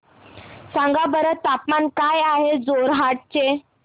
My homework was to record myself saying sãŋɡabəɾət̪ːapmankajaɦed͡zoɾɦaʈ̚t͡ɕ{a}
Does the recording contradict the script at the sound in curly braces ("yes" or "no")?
yes